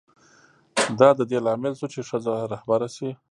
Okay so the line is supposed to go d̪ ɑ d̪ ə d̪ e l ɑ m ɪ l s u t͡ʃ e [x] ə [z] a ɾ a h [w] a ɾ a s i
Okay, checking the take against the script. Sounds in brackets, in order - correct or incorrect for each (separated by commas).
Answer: incorrect, correct, incorrect